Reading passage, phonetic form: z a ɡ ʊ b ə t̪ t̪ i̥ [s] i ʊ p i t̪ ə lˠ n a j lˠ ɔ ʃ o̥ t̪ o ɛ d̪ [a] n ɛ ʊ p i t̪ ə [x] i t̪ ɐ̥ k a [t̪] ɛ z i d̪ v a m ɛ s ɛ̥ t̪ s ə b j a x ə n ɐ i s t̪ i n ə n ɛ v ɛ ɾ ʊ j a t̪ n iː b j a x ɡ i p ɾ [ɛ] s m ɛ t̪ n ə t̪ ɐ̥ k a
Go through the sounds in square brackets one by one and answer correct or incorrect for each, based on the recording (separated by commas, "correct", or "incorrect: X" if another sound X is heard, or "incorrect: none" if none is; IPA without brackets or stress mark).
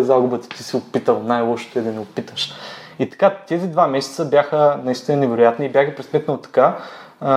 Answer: correct, incorrect: ɐ, incorrect: ʃ, correct, correct